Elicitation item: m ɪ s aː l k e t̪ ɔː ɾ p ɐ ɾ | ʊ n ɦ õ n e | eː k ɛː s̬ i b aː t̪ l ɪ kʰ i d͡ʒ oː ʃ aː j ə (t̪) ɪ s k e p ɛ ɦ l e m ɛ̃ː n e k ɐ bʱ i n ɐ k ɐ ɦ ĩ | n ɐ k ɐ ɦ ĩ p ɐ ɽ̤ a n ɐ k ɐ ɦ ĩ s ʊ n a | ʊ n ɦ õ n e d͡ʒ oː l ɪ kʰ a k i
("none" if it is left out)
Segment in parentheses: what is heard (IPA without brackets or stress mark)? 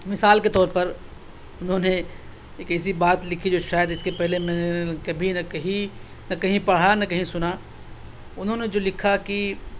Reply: d̪